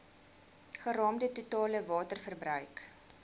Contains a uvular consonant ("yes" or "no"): yes